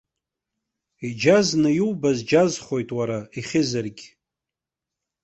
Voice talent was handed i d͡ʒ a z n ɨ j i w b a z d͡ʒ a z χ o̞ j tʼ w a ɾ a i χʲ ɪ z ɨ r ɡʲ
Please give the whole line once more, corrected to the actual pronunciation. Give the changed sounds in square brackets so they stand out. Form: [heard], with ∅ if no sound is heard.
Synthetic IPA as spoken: i d͡ʒ a z n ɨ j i w b a z d͡ʒ a z χ o̞ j tʼ w a ɾ a i χʲ ɪ z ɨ r ɡʲ

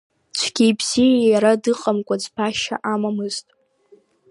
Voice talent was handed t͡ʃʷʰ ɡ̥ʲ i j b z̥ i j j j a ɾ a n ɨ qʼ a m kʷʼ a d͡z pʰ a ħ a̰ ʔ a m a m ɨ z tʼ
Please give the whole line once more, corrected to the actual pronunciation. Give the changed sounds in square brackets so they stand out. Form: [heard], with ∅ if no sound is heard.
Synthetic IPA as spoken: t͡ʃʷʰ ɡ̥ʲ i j b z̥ i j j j a ɾ a [d] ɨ qʼ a m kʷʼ a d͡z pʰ a [ʃ] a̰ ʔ a m a m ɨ z tʼ

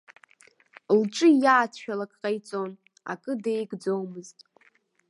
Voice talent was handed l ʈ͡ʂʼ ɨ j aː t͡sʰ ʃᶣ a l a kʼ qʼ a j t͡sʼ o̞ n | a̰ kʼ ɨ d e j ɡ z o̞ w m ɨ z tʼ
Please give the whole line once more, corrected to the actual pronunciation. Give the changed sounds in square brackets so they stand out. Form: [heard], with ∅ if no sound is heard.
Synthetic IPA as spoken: l ʈ͡ʂʼ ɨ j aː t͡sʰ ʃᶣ a l a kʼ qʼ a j t͡sʼ o̞ n | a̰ kʼ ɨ d e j ɡ [d͡z] o̞ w m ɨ z tʼ

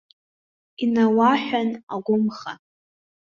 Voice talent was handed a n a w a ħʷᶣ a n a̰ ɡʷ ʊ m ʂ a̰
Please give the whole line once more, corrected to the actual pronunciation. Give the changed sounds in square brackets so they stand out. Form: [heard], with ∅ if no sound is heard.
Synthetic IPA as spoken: [i] n a w a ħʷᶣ a n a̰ ɡʷ ʊ m [χ] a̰

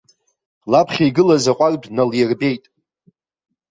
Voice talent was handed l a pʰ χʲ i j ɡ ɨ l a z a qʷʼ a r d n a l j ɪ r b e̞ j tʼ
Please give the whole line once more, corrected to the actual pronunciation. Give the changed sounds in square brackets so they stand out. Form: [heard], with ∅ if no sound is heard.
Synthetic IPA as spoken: l a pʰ χʲ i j ɡ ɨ l a z a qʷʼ a r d n a l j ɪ r b e̞ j tʼ

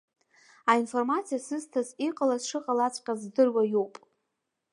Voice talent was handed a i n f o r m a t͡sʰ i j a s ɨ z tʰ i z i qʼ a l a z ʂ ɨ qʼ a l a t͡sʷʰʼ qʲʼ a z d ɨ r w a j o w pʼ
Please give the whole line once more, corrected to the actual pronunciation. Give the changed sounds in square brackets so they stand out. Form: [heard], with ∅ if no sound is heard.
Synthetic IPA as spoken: a i n f o r m a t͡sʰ i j a s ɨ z tʰ [a] z i qʼ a l a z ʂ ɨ qʼ a l a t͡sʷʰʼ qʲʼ a z d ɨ r w a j o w pʼ

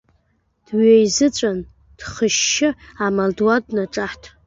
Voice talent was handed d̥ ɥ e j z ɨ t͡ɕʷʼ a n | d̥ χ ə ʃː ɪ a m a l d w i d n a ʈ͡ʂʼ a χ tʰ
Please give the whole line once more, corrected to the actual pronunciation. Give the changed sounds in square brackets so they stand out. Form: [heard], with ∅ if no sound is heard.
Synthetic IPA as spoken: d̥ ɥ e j z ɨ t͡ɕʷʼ a n | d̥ χ ə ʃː ɪ a m a l d w [a] d n a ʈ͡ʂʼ a [ħ] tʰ

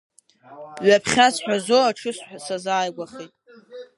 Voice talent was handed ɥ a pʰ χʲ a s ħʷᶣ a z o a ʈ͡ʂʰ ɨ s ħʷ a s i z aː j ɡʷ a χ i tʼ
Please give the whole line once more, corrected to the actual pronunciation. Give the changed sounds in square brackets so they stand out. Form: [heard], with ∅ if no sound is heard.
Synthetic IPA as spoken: ɥ a pʰ χʲ a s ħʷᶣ a z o a ʈ͡ʂʰ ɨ s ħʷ a s [a] z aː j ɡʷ a χ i tʼ

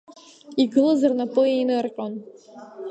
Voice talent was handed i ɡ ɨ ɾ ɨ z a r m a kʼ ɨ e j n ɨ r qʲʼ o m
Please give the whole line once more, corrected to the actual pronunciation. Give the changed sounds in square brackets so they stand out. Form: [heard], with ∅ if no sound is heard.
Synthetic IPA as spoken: i ɡ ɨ [l] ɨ z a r [n] a [pʼ] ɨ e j n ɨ r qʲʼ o [n]

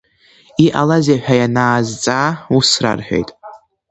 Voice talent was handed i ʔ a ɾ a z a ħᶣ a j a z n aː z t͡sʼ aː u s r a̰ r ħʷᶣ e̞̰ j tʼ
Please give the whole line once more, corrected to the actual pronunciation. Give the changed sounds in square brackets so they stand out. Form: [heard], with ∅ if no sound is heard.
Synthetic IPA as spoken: i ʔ a [l] a z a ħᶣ a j a [∅] n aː z t͡sʼ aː u s r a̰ r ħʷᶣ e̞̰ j tʼ

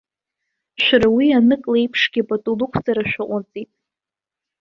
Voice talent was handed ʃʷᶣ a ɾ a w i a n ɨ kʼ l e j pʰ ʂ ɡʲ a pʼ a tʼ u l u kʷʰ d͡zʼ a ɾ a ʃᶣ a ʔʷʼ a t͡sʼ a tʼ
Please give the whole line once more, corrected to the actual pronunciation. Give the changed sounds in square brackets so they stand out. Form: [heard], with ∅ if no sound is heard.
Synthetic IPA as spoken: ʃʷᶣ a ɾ a w i a n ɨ kʼ l e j pʰ ʂ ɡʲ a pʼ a tʼ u l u kʷʰ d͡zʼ a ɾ a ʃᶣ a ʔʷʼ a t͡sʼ [i] tʼ

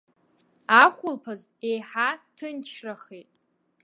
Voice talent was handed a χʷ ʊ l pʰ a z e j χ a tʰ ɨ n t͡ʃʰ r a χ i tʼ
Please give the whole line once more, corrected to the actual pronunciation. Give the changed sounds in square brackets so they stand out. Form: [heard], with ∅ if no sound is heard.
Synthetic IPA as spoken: a χʷ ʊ l pʰ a z e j [ħ] a tʰ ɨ n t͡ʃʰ r a χ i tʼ

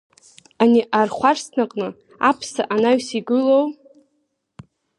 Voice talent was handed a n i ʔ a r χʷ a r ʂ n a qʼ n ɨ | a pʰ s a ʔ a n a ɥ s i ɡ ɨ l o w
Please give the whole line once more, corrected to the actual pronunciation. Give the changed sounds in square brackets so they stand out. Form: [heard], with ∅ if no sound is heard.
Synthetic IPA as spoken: a n i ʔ a r χʷ a r [s] n a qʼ n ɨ | a pʰ s a ʔ a n a ɥ s i ɡ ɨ l o w

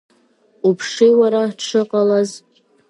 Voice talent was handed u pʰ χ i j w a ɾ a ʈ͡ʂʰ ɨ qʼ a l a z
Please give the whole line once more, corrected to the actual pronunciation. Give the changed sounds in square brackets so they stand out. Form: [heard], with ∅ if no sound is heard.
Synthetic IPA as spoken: u pʰ [ʂ] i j w a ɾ a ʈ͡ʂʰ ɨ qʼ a l a z

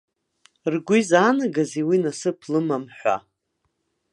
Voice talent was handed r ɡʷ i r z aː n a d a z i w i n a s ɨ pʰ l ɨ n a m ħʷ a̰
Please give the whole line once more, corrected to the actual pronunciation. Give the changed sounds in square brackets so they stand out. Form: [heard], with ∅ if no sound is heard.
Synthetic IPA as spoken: r ɡʷ i [∅] z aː n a [ɡ] a z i w i n a s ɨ pʰ l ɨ [m] a m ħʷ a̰

